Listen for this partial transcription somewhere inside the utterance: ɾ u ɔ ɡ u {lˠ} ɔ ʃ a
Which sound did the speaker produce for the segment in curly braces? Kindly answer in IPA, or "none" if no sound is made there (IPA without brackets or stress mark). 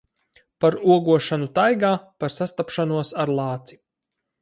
none